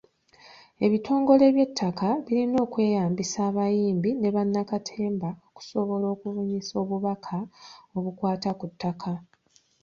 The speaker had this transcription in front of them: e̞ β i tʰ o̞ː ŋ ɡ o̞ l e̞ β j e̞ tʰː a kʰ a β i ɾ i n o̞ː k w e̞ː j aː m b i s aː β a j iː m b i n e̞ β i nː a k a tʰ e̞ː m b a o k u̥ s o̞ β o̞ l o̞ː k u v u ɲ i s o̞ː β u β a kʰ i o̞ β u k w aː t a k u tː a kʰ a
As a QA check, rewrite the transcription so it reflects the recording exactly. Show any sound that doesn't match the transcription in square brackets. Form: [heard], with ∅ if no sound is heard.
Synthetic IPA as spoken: e̞ β i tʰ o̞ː ŋ ɡ o̞ l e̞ β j e̞ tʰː a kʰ a β i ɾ i n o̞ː k w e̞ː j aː m b i s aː β a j iː m b i n e̞ β [a] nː a k a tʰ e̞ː m b a o k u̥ s o̞ β o̞ l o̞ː k u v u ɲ i s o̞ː β u β a kʰ [a] o̞ β u k w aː t a k u tː a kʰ a